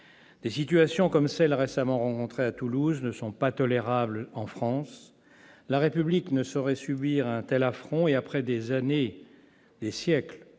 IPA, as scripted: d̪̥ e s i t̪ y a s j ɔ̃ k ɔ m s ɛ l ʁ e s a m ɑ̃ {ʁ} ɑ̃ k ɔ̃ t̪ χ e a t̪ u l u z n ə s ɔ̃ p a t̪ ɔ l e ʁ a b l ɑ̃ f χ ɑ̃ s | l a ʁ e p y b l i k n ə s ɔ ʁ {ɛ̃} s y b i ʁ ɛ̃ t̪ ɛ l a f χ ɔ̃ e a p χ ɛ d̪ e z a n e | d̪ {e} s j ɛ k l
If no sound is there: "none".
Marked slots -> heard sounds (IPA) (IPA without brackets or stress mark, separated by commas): ʁ, ɛ, e